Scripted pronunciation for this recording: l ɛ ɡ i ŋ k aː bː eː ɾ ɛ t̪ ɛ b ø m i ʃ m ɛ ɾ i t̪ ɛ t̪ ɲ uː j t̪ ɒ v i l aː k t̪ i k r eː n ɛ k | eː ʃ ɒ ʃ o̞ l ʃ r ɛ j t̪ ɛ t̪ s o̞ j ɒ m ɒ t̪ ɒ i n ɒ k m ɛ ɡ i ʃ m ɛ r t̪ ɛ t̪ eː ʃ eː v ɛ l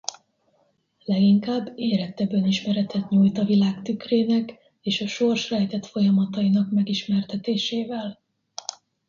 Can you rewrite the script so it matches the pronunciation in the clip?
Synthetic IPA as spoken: l ɛ ɡ i ŋ k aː bː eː ɾ ɛ t̪ ɛ b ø n i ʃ m ɛ ɾ ɛ t̪ ɛ t̪ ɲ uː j t̪ ɒ v i l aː k t̪ y k r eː n ɛ k | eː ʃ ɒ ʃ o̞ r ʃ r ɛ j t̪ ɛ t̪ f o̞ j ɒ m ɒ t̪ ɒ i n ɒ k m ɛ ɡ i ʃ m ɛ r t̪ ɛ t̪ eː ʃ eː v ɛ l